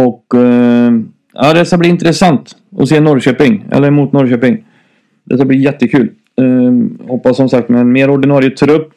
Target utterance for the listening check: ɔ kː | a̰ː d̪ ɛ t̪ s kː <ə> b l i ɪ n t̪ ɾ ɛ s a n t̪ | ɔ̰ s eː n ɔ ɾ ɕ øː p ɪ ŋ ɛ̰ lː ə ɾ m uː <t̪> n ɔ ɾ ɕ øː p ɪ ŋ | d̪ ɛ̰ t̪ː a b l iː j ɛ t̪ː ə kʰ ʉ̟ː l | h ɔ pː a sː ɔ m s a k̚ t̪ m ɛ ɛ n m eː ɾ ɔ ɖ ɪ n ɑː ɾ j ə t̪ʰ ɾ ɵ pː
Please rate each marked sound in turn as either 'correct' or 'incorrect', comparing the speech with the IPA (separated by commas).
incorrect, correct